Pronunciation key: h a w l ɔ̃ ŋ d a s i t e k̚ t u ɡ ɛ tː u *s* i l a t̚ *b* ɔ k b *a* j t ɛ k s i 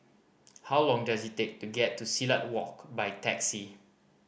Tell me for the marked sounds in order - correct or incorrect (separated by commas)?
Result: correct, incorrect, correct